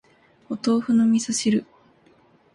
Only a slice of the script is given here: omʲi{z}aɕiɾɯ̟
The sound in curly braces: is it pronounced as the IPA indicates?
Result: no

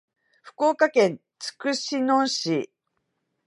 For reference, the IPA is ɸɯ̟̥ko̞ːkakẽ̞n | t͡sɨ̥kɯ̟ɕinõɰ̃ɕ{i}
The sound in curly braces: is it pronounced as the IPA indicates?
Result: yes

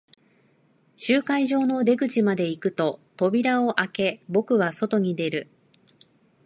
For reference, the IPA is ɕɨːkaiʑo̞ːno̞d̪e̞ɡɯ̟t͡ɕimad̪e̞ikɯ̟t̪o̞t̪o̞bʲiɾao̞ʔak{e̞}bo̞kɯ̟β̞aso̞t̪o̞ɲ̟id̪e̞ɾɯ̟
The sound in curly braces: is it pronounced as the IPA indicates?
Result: yes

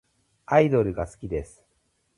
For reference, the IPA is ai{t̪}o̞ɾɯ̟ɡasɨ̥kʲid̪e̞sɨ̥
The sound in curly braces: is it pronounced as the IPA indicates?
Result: no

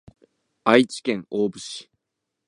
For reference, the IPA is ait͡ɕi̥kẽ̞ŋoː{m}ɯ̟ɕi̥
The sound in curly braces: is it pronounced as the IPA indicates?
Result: no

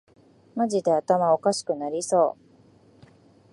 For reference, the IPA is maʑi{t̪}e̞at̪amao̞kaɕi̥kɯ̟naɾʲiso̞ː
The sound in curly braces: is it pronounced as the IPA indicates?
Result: no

